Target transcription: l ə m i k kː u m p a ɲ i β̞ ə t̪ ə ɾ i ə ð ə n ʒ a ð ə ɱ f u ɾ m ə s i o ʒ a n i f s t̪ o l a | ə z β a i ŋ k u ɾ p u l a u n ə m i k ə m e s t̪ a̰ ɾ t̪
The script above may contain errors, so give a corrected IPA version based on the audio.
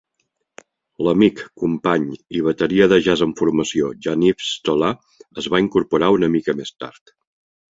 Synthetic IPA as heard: l ə m i k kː u m p a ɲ i β̞ ə t̪ ə ɾ i ə ð ə ʒ a z ə ɱ f u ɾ m ə s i o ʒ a n i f s t̪ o l a | ə z β a i ŋ k u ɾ p u ɾ a u n ə m i k ə m e s t̪ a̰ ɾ t̪